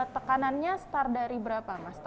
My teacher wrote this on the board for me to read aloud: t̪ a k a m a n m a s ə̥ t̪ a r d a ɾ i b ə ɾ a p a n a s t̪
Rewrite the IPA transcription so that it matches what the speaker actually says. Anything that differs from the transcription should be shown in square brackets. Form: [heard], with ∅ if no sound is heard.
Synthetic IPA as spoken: t̪ [ə] k a [n] a n [ɲ] a s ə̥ t̪ a r d a ɾ i b ə ɾ a p a [m] a s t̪